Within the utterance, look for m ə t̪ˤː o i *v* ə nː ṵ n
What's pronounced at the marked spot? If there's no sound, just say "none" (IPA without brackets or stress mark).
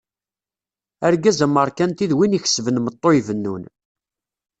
v